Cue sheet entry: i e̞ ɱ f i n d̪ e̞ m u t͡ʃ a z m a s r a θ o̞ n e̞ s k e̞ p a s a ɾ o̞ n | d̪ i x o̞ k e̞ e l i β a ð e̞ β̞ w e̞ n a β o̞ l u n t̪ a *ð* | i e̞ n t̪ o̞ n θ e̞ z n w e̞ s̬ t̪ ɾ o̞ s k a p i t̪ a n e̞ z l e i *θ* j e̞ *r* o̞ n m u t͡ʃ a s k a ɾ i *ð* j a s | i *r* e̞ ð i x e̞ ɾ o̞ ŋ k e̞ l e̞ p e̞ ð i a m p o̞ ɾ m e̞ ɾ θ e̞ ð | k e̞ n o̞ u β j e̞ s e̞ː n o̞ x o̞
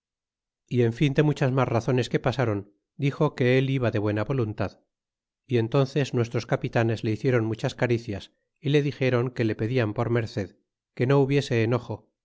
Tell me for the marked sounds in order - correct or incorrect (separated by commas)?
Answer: correct, correct, incorrect, incorrect, incorrect